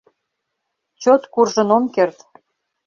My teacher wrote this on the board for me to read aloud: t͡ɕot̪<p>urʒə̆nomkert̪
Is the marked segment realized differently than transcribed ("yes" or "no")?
yes